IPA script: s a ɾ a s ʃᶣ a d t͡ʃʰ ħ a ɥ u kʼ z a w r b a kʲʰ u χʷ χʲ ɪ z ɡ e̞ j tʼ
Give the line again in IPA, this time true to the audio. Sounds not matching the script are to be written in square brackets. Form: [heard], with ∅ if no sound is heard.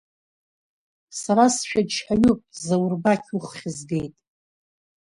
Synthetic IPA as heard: s a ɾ a s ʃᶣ a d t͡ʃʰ ħ a ɥ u [pʼ] z a w r b a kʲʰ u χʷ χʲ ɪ z ɡ e̞ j tʼ